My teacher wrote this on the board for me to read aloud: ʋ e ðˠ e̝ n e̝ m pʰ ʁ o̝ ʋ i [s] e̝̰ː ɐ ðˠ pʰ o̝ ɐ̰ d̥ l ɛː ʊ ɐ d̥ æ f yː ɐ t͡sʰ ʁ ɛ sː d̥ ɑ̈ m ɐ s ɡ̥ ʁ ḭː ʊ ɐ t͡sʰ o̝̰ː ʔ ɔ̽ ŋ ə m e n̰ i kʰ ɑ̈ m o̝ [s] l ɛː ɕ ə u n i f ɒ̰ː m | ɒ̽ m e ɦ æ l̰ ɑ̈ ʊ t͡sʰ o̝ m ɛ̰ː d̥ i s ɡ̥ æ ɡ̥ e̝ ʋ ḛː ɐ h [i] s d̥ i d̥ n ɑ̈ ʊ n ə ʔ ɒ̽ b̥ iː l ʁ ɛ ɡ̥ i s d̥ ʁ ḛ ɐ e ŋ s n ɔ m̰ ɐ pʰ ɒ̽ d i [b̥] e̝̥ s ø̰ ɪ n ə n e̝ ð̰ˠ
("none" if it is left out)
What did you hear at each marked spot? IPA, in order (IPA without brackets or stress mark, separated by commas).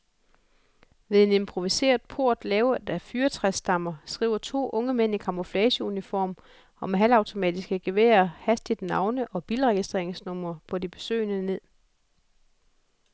s, f, æ, b̥